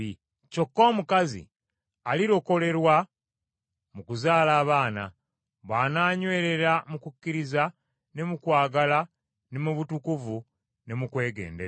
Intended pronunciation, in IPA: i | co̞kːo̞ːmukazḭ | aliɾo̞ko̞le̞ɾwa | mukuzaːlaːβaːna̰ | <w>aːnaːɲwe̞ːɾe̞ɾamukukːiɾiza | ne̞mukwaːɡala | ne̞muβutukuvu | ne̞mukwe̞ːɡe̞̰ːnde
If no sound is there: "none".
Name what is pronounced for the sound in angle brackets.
β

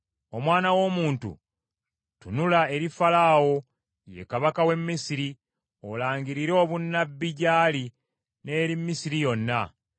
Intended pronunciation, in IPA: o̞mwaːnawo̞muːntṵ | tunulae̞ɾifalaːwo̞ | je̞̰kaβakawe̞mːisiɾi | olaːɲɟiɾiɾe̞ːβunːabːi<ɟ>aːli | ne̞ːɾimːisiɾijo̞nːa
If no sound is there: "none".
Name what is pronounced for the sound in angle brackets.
ɟ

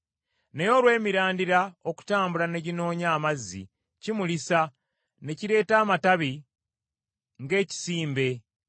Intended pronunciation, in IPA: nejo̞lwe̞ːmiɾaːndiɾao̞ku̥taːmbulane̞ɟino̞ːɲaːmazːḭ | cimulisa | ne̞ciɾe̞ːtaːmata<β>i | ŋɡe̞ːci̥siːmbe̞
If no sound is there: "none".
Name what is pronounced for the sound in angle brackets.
β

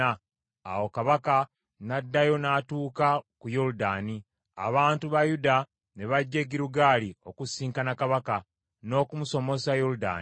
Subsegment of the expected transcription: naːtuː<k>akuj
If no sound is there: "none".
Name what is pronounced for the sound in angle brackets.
k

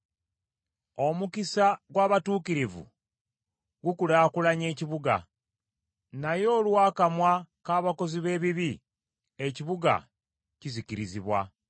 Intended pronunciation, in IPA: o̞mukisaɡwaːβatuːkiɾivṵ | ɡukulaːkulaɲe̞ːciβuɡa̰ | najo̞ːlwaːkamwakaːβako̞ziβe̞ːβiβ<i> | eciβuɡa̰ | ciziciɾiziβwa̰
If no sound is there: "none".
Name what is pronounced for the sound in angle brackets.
i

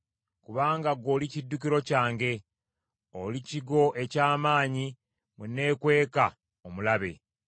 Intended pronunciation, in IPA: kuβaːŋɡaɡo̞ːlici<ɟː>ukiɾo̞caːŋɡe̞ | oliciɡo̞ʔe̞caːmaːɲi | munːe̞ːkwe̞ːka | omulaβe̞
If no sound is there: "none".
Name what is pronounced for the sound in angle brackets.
dː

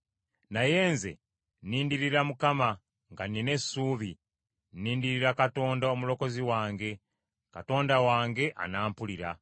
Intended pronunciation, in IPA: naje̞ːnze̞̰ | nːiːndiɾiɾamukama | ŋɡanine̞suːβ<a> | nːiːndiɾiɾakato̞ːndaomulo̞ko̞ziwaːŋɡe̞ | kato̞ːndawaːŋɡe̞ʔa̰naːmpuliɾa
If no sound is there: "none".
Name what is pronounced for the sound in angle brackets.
i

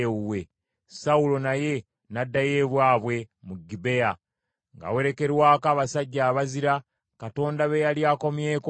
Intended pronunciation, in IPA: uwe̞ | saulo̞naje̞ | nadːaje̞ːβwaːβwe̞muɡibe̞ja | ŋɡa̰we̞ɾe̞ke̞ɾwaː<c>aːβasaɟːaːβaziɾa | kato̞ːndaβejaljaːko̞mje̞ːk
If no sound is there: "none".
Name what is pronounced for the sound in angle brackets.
k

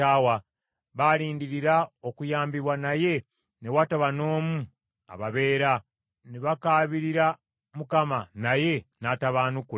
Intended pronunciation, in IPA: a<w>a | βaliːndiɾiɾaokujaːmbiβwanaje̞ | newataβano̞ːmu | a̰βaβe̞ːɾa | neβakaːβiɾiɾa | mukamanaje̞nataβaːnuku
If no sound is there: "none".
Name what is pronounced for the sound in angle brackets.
w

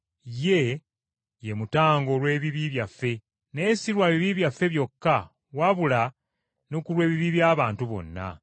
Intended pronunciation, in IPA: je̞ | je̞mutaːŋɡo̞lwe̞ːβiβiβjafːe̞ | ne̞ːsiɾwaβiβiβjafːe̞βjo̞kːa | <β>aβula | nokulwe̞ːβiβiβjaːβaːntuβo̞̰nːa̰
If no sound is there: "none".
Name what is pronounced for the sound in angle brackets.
w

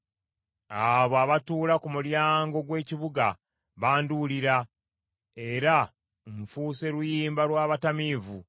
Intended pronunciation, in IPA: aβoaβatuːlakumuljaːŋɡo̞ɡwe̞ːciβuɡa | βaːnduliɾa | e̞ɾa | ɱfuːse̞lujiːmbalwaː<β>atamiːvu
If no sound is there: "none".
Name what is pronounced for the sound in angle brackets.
β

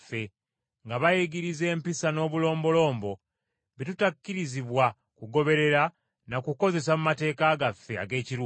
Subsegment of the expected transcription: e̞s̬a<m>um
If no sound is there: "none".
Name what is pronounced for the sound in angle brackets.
m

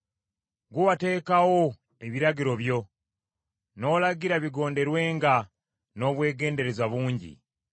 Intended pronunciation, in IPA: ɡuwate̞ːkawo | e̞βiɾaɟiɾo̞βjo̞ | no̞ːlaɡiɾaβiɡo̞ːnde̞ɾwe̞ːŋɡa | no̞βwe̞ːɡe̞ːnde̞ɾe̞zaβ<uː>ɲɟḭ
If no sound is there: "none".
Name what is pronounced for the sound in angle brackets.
uː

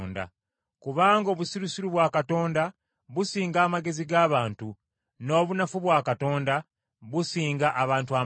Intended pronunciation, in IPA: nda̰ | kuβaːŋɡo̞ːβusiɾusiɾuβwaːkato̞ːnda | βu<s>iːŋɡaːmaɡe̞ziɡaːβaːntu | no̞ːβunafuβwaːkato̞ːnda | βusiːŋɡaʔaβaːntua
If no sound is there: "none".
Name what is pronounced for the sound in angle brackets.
s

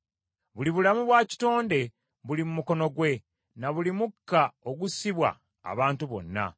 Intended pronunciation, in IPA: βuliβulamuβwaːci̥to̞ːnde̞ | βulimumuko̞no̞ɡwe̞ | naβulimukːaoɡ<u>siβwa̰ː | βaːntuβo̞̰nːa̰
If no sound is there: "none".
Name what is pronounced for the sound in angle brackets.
u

